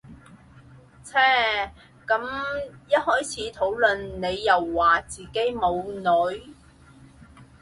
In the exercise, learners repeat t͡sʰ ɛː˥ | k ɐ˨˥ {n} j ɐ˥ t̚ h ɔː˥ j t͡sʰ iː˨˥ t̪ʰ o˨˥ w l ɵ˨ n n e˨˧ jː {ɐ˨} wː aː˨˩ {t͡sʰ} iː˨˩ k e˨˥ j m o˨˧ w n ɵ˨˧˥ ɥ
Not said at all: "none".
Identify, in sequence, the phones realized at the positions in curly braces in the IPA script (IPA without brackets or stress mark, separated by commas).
m, ɐ˨, t͡s